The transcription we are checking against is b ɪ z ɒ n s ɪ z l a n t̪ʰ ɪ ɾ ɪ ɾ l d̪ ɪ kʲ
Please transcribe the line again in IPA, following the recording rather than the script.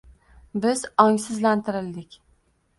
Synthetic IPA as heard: b ɪ z ɒ ŋ s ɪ z l a n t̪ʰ ɪ ɾ ɪ l d̪ ɪ kʲ